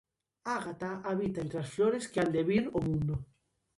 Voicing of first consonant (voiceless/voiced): voiced